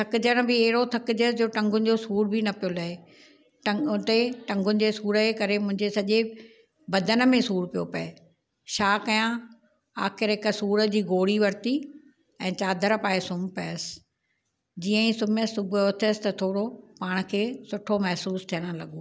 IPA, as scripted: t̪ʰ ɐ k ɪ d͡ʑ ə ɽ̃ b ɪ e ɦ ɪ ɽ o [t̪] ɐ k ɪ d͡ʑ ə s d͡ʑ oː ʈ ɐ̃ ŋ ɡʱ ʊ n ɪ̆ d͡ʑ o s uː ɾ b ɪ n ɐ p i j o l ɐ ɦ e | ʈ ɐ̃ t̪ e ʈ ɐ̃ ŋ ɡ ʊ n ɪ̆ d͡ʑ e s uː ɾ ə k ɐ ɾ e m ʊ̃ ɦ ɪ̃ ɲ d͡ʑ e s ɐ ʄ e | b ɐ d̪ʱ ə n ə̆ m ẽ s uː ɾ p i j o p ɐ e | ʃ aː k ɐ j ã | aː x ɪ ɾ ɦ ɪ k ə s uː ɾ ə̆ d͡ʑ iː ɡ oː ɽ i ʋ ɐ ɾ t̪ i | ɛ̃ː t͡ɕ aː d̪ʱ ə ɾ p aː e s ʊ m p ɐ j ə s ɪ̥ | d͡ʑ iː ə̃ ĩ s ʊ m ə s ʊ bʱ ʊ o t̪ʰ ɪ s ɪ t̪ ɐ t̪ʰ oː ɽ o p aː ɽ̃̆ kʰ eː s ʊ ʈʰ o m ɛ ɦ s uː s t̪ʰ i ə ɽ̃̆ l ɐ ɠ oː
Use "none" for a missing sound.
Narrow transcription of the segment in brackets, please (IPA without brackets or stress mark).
t̪ʰ